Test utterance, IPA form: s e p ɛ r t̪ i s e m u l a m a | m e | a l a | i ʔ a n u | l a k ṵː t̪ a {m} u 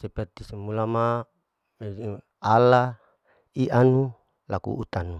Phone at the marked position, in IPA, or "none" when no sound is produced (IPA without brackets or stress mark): n